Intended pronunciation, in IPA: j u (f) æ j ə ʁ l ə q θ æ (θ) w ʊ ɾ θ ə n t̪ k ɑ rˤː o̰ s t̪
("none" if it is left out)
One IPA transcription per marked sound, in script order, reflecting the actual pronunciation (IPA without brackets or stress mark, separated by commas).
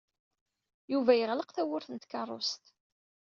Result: v, none